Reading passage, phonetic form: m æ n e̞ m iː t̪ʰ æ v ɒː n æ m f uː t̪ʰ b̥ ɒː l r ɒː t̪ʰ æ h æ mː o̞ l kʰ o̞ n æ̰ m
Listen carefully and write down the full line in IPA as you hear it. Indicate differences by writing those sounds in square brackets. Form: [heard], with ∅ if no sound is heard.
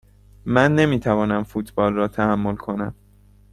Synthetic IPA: m æ [nː] e̞ m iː t̪ʰ æ v ɒː n æ m f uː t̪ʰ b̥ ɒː l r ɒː t̪ʰ æ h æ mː o̞ l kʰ o̞ n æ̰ m